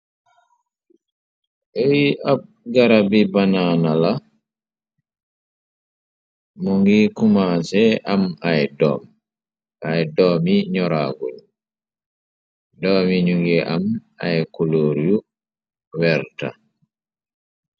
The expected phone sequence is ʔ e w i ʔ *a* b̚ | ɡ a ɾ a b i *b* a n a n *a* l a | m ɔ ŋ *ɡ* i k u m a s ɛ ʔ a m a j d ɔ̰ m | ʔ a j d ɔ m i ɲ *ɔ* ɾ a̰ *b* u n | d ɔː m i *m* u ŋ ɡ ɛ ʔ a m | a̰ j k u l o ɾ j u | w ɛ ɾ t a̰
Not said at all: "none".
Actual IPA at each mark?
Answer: a, b, a, ɡ, ɔ, ɡ, ɲ

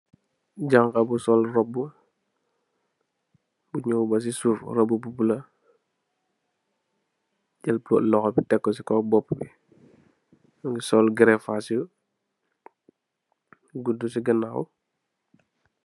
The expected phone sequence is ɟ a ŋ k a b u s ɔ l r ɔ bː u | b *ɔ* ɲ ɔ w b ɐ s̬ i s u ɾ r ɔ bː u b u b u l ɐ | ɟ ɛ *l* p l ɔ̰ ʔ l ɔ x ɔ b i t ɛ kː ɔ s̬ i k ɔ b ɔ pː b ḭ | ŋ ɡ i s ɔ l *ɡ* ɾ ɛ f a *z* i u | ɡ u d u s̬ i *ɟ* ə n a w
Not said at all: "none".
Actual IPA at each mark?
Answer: u, l, ɡ, s, ɡ

